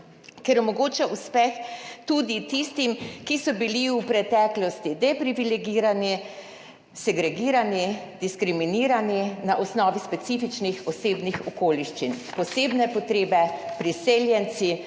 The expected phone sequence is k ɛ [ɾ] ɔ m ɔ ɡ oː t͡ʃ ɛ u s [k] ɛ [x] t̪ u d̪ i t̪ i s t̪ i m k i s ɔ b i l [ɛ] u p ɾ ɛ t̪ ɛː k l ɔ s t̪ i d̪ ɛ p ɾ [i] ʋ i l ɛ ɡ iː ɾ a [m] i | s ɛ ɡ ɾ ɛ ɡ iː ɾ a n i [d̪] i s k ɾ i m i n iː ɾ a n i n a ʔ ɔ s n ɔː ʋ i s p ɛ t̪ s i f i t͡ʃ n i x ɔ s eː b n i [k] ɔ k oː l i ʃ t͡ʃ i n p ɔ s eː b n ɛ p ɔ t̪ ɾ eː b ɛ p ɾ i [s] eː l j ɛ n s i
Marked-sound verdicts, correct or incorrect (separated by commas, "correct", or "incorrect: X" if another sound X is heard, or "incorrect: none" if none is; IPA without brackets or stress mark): correct, incorrect: p, correct, incorrect: i, correct, incorrect: n, correct, incorrect: x, correct